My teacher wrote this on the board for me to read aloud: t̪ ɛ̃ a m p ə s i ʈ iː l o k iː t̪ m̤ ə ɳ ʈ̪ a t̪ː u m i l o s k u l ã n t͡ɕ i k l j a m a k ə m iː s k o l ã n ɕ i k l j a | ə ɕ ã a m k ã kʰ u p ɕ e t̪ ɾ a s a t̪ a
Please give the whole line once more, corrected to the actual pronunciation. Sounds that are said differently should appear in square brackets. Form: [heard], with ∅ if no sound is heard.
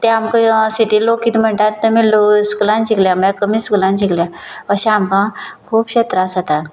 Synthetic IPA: t̪ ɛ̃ a m [k] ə s i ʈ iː l o k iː t̪ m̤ ə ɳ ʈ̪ a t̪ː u m i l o s k u l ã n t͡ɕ i k l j a m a k ə m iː s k [u] l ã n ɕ i k l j a | ə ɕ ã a m k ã kʰ [uː] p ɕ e t̪ ɾ a s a t̪ a